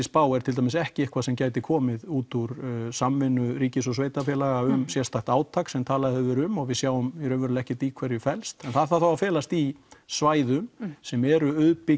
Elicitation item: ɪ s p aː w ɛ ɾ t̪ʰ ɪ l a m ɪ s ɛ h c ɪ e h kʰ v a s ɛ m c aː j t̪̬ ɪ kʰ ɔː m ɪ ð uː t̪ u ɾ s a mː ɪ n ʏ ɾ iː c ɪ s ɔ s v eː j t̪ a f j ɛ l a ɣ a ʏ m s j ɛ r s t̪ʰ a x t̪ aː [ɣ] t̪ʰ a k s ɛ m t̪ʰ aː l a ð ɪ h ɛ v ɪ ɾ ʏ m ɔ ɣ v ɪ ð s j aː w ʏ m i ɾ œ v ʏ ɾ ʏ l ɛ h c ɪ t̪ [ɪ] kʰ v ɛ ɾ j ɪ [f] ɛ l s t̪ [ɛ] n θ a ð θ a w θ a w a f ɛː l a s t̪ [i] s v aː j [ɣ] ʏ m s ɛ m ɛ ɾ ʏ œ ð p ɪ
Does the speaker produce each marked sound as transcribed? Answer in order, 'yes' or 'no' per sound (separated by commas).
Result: no, no, yes, yes, yes, no